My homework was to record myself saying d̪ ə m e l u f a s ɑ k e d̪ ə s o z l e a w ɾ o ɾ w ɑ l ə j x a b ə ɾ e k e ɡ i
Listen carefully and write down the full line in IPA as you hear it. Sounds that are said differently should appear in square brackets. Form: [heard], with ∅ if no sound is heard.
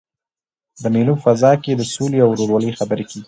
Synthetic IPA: d̪ ə m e l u f a [z] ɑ k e d̪ ə s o [∅] l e a w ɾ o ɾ w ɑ l ə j x a b ə ɾ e k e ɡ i